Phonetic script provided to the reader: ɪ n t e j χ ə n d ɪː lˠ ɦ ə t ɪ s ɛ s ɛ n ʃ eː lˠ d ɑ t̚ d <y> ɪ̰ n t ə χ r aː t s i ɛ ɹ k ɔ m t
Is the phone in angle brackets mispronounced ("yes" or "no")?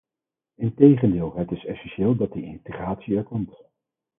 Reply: yes